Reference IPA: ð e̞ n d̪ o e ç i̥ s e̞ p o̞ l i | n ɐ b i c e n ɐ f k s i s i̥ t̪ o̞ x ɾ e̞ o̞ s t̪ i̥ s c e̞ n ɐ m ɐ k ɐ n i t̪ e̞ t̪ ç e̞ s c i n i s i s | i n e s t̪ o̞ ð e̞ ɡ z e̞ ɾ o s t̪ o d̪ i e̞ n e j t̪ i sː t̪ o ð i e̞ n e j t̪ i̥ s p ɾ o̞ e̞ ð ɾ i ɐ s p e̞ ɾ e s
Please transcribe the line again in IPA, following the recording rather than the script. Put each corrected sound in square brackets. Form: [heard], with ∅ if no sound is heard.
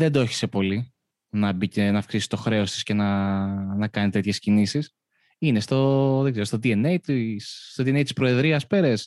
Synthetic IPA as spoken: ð e̞ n d̪ o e ç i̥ s e̞ p o̞ l i | n ɐ b i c e n ɐ f k s i s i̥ t̪ o̞ x ɾ e̞ o̞ s t̪ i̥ s c e̞ n ɐ [n] ɐ k ɐ n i t̪ e̞ t̪ ç e̞ s c i n i s i s | i n e s t̪ o̞ ð e̞ ɡ z e̞ ɾ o s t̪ o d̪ i e̞ n e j t̪ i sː t̪ o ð i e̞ n e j t̪ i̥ s p ɾ o̞ e̞ ð ɾ i ɐ s p e̞ ɾ e s